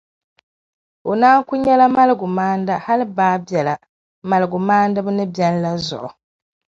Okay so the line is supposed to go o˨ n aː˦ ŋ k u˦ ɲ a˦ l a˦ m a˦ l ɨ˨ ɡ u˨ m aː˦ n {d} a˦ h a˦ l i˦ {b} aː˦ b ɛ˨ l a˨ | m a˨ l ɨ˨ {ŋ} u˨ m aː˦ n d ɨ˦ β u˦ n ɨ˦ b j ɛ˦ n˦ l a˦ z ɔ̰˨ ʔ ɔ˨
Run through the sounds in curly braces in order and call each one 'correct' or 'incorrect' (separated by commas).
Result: correct, correct, incorrect